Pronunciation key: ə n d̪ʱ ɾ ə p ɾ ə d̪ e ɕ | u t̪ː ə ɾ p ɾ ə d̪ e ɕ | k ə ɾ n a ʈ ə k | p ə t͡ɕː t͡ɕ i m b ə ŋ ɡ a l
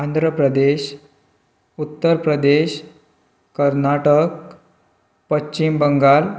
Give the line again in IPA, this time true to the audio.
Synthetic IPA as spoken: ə n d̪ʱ ɾ ə p ɾ ə d̪ e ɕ | u t̪ː ə ɾ p ɾ ə d̪ e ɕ | k ə ɾ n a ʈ ə k | p ə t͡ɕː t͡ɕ i m b ə ŋ ɡ a l